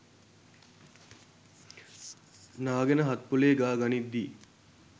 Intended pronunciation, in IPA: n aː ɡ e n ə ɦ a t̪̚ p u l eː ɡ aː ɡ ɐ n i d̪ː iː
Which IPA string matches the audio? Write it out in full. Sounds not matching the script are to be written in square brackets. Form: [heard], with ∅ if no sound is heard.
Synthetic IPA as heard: n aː ɡ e n ə ɦ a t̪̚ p u l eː ɡ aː ɡ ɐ n i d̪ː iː